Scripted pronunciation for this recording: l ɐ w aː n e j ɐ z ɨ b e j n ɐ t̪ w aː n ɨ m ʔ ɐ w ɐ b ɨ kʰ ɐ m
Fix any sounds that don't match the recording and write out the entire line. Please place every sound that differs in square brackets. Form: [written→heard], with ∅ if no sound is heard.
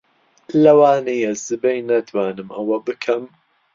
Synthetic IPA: l ɐ w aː n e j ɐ z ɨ b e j n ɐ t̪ w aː n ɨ m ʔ ɐ w ɐ b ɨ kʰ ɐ m